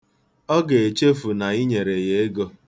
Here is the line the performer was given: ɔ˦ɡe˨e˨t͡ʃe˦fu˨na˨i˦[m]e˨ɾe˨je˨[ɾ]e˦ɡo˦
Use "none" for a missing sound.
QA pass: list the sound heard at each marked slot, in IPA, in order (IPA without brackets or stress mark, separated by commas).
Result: ɲ, none